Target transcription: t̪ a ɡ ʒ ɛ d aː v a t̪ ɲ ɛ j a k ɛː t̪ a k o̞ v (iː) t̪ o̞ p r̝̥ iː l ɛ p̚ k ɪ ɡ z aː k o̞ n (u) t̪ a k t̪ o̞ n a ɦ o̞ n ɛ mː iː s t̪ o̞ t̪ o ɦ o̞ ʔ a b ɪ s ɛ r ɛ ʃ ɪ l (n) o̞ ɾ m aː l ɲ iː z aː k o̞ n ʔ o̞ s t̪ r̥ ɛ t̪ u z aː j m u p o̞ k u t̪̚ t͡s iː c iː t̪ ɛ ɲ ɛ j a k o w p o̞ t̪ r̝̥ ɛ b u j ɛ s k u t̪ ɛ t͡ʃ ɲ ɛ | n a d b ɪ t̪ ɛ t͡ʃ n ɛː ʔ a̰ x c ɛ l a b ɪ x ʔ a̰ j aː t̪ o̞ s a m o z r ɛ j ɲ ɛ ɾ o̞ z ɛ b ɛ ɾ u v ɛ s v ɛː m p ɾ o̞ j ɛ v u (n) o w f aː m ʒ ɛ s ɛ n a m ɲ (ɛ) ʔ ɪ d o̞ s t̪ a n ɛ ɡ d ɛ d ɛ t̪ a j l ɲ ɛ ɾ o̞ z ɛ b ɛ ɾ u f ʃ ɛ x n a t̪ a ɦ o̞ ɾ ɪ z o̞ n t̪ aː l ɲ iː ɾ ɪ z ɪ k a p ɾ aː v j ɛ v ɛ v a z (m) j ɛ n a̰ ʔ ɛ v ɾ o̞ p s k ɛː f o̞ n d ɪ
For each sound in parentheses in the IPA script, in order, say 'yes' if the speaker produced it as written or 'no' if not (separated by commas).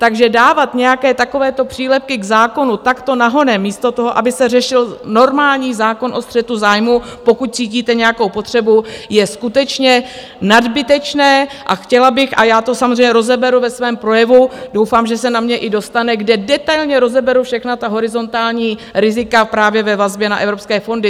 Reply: no, yes, yes, no, yes, no